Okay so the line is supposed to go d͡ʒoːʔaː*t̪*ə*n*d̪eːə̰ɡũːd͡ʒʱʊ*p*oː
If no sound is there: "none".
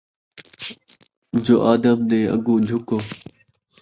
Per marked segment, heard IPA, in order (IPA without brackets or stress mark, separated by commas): d̪, m, k